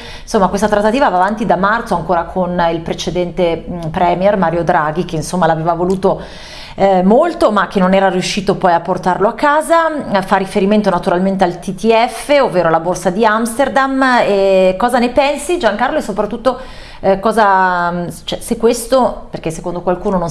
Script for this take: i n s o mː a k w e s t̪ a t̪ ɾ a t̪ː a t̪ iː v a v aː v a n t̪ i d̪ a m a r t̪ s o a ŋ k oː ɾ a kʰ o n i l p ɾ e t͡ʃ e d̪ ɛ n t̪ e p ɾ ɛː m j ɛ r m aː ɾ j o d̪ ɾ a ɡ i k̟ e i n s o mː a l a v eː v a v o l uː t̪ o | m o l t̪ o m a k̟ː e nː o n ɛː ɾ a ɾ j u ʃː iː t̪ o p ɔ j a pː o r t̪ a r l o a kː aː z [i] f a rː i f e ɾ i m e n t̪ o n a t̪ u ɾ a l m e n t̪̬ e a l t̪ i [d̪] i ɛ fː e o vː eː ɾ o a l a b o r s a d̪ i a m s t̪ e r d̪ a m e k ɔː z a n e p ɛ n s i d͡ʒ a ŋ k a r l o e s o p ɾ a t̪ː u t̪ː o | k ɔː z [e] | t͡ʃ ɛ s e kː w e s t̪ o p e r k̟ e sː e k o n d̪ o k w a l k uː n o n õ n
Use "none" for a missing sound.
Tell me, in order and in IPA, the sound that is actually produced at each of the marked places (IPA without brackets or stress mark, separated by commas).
a, t̪, a